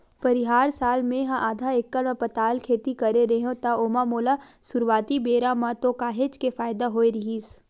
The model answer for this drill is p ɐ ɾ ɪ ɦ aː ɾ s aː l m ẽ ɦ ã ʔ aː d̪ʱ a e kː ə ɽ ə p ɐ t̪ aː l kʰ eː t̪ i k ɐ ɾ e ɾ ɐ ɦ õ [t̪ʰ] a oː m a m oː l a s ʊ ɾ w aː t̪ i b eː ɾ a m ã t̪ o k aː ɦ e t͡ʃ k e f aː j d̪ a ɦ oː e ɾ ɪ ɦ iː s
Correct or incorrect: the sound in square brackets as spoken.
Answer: incorrect: t̪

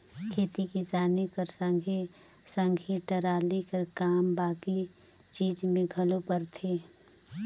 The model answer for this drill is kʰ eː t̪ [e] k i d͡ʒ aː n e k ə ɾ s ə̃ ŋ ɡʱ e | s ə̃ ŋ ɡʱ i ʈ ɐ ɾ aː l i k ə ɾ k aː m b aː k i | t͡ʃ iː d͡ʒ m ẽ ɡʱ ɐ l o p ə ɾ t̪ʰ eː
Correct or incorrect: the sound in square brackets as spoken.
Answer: incorrect: i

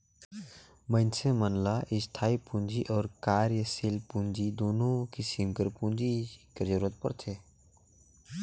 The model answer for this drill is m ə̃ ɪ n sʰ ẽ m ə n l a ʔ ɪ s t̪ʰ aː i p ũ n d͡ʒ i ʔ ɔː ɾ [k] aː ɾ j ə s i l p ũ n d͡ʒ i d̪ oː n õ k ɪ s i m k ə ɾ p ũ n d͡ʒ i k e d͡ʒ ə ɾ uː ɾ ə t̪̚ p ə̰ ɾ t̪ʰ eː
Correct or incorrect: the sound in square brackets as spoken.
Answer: correct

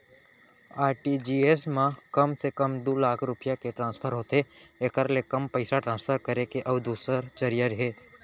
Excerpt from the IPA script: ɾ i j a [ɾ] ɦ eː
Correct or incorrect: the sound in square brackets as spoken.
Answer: correct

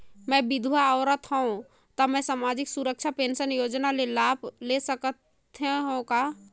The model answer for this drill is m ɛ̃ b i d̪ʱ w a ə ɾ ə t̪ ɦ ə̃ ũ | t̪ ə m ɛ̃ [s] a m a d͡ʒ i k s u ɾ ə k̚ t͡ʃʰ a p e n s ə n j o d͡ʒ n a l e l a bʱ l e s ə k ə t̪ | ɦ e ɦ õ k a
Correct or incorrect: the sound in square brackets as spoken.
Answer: correct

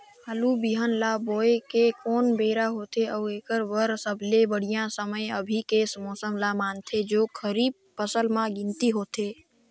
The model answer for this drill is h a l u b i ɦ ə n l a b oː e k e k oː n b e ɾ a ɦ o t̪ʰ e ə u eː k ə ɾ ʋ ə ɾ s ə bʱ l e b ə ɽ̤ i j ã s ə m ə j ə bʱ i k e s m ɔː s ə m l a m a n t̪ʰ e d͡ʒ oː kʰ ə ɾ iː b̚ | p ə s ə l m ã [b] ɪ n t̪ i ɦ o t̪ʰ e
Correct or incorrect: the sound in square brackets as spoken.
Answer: incorrect: ɡ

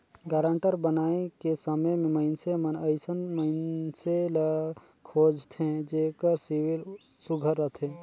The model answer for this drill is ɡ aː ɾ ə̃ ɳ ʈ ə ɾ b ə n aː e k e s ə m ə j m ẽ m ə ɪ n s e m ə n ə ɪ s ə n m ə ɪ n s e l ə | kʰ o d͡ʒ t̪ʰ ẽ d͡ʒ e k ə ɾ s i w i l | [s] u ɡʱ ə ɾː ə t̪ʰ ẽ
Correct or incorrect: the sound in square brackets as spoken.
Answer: correct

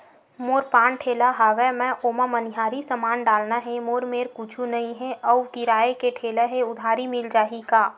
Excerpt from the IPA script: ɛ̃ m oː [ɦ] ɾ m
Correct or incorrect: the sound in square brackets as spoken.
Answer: incorrect: none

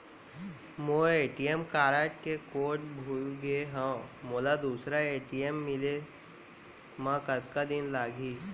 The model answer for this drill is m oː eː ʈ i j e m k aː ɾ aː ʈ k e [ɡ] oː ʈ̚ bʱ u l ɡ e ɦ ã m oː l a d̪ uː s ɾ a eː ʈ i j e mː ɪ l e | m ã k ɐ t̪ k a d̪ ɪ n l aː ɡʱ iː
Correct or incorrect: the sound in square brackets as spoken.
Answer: incorrect: k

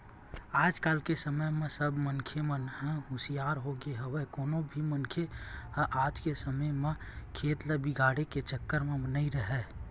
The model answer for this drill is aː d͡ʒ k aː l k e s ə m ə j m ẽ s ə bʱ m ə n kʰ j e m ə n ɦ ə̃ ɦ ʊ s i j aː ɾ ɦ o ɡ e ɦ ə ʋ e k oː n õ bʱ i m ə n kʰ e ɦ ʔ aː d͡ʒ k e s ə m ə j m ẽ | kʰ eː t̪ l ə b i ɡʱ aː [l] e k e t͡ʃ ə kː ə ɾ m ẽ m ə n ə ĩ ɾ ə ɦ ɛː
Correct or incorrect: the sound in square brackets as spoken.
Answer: incorrect: ɽ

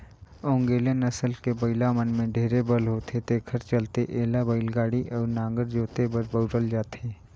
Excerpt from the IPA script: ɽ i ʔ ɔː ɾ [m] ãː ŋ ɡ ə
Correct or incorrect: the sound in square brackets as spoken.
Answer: incorrect: n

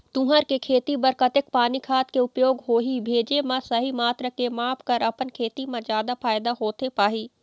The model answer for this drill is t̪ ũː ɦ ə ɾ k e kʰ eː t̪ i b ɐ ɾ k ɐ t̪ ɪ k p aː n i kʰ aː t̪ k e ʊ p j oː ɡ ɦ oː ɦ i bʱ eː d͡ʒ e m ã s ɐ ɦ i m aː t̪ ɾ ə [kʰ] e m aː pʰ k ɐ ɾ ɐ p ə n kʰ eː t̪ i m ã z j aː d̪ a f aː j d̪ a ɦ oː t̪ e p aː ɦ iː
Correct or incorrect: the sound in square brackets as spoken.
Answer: incorrect: k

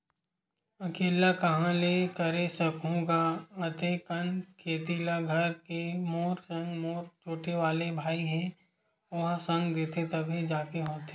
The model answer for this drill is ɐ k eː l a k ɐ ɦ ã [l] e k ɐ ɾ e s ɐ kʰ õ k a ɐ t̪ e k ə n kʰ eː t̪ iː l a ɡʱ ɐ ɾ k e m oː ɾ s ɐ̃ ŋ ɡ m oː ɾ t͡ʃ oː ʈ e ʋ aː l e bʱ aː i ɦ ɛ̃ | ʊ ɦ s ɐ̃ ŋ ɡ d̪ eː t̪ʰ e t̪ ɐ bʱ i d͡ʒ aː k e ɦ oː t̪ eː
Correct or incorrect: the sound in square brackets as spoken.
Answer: correct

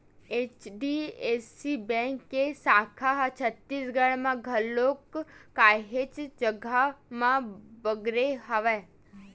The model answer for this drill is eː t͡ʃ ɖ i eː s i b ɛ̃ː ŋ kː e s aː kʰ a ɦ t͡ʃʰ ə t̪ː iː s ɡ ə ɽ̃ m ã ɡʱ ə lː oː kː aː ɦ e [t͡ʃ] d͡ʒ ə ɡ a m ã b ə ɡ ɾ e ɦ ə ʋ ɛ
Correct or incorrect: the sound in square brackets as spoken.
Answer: correct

